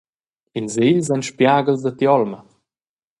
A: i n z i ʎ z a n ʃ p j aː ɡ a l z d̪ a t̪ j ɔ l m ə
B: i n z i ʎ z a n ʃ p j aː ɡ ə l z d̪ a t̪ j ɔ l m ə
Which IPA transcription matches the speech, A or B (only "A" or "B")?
B